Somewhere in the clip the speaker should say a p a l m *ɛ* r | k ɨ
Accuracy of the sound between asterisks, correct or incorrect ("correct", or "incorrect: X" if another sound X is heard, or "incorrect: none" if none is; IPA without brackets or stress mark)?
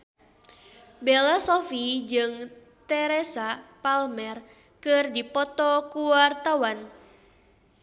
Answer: correct